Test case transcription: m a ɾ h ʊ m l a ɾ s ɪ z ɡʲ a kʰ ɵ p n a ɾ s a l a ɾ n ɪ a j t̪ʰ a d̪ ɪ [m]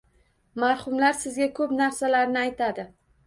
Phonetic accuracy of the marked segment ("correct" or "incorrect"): incorrect